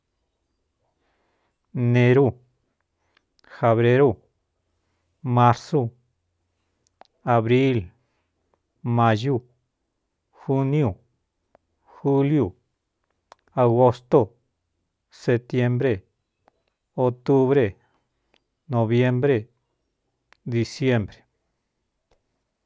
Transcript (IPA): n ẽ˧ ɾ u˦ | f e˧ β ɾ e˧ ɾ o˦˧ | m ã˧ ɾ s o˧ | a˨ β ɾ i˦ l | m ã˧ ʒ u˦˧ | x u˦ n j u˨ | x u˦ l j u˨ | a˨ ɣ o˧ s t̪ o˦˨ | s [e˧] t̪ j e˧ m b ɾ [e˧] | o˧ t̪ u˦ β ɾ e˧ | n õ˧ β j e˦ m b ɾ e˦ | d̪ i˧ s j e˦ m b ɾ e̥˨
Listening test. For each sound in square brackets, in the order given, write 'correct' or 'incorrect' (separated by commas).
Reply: correct, correct